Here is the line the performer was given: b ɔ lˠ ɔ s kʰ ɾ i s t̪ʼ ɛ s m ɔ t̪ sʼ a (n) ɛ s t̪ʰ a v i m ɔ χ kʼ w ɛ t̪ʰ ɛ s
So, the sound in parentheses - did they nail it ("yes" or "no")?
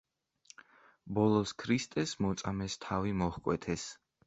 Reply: no